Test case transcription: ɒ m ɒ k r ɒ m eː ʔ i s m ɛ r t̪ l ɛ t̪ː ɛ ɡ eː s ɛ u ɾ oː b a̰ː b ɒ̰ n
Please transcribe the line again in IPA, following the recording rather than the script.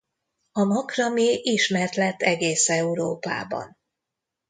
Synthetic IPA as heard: ɒ m ɒ k r ɒ m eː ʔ i ʃ m ɛ r t̪ l ɛ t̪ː ɛ ɡ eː s ɛ u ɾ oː p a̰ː b ɒ̰ n